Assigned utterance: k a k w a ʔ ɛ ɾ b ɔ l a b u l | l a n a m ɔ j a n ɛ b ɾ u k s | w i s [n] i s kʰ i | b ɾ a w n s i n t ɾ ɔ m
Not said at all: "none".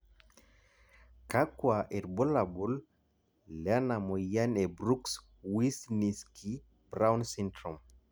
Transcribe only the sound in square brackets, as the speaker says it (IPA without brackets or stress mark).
n